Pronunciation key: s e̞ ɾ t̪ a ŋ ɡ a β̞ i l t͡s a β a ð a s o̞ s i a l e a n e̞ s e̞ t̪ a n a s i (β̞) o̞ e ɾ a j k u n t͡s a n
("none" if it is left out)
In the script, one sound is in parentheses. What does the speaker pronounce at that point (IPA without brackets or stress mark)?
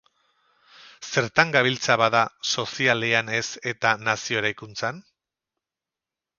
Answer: none